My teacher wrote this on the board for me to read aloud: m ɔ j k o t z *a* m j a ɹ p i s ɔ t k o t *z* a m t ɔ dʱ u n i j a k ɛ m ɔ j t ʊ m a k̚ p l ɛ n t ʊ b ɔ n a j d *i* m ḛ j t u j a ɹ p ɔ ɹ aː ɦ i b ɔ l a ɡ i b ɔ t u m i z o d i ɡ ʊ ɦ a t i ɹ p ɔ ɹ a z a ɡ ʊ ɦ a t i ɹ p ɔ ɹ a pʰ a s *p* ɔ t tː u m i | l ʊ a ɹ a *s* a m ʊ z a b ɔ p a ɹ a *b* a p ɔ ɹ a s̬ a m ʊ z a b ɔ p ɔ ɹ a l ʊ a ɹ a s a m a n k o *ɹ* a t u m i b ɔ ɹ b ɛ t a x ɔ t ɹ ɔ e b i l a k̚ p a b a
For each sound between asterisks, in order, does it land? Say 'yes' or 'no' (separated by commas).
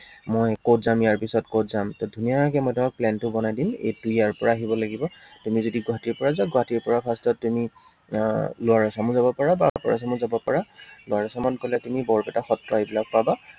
yes, yes, yes, no, yes, yes, no